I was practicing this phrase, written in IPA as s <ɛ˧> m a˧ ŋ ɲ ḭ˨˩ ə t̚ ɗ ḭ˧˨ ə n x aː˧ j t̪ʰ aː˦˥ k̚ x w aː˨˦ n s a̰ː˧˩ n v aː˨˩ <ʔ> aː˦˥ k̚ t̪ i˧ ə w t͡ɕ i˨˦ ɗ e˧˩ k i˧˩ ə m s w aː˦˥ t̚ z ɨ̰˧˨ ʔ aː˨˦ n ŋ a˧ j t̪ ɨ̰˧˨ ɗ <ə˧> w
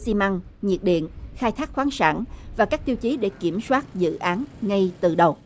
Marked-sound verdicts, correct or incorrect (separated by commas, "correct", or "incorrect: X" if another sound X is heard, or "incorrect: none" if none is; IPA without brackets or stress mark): incorrect: i˧, incorrect: k, incorrect: ə˨˩